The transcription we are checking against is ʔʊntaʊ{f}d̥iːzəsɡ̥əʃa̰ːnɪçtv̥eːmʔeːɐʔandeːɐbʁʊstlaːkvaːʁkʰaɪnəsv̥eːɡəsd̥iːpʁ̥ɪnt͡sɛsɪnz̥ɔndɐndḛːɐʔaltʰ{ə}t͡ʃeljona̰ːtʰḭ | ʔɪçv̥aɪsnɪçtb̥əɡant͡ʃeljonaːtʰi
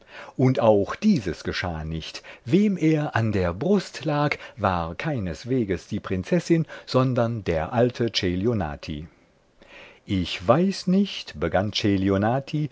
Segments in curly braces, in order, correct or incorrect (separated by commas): incorrect, correct